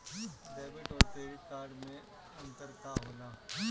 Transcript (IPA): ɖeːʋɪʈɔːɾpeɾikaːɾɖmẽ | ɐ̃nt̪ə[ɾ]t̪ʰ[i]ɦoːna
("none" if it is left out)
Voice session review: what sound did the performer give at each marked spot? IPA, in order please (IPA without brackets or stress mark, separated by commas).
ɾ, a